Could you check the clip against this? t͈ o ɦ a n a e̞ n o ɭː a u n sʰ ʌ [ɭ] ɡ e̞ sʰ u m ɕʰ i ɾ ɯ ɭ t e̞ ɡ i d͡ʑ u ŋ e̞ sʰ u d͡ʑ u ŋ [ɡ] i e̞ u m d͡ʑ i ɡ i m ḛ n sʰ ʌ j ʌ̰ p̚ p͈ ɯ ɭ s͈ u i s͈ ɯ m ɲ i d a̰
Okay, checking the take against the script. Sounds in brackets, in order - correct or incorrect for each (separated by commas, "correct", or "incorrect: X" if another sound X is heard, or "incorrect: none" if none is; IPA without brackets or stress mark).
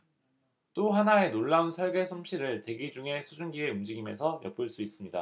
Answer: correct, correct